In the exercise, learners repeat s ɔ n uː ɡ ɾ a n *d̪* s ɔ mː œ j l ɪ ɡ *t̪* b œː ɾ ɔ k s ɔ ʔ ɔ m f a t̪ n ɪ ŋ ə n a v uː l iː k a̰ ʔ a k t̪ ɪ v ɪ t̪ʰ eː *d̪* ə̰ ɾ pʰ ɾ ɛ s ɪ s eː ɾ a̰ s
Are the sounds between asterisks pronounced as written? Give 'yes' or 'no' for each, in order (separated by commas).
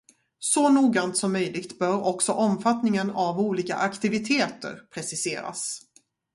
no, yes, no